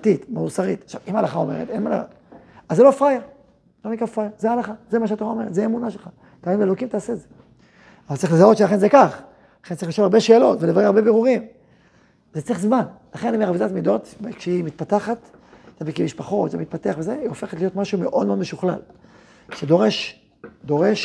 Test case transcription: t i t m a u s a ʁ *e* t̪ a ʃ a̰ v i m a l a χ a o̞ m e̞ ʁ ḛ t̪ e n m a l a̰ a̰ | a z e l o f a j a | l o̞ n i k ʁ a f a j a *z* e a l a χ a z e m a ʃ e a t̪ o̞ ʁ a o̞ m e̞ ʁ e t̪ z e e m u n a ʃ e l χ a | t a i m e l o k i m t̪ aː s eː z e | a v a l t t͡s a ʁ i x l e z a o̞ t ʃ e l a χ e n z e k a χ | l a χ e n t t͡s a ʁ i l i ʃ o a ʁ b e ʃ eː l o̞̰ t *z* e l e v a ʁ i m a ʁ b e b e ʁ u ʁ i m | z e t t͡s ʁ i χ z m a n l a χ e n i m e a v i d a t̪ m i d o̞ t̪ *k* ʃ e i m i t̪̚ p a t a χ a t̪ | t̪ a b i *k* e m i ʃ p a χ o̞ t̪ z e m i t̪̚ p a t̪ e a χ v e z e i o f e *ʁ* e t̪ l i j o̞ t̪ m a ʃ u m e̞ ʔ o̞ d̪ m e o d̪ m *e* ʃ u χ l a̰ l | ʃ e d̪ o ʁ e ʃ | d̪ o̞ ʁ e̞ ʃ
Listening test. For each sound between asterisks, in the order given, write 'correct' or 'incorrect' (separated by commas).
incorrect, correct, incorrect, correct, correct, incorrect, correct